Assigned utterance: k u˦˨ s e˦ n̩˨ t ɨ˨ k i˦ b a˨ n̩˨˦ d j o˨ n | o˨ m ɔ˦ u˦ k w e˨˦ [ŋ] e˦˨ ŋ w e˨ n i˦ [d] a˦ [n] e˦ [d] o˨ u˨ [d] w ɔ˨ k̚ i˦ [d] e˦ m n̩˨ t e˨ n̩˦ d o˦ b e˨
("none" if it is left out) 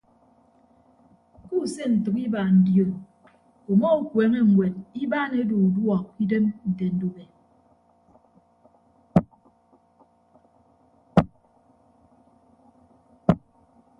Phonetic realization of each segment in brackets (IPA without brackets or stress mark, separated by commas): ŋ, b, n, d, d, d